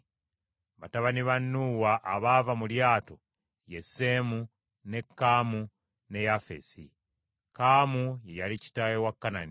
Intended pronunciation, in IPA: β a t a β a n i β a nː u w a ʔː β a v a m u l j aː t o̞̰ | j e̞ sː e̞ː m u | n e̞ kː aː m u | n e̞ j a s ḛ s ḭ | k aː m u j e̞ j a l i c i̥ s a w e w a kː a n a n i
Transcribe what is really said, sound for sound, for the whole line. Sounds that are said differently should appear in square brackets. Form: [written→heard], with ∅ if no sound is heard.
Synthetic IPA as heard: β a t a β a n i β a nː u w a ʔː β a v a m u l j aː t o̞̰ | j e̞ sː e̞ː m u | n e̞ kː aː m u | n e̞ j a [s→f] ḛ s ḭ | k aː m u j e̞ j a l i c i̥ [s→t] a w e w a kː a n a n i